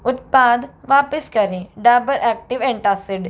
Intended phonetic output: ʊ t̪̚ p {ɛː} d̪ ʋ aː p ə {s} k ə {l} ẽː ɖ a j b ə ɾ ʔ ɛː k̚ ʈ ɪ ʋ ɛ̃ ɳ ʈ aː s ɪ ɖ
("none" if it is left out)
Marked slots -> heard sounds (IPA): aː, s, ɾ

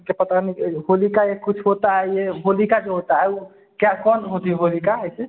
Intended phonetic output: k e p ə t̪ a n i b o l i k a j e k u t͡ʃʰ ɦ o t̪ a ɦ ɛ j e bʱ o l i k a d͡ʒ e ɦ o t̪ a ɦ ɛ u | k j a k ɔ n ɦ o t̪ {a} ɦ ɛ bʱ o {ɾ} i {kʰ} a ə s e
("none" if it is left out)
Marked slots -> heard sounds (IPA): i, l, k

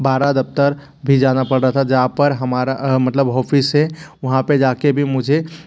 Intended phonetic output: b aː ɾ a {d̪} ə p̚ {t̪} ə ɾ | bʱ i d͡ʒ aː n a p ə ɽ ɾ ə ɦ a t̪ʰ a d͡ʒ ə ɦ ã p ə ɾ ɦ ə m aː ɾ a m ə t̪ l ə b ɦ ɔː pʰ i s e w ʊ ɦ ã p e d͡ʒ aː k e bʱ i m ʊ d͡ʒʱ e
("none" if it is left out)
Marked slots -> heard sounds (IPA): d̪, t̪

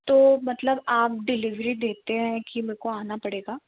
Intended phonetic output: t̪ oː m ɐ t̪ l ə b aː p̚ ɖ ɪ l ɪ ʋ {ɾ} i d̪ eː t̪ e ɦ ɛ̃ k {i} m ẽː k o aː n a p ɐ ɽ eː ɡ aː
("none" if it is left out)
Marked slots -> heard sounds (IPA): ɾ, i

